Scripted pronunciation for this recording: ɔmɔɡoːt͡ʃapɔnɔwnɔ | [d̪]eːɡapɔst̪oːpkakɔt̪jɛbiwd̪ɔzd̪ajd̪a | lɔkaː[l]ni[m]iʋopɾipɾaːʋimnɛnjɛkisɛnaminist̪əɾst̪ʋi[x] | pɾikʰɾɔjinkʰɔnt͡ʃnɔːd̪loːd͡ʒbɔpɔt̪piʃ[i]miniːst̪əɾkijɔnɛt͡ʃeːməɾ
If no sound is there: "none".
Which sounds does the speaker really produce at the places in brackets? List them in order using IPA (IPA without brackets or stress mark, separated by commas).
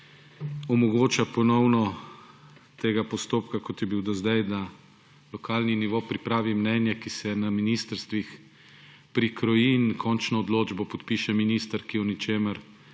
t̪, l, n, x, ɛ